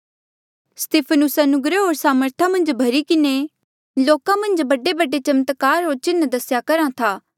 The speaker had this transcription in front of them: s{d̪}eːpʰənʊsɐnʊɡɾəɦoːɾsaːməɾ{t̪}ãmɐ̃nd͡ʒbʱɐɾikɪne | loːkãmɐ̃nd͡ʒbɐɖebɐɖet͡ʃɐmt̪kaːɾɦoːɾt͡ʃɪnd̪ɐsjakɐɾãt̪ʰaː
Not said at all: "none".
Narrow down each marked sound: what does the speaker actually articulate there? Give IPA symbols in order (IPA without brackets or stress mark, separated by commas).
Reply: t̪, t̪ʰ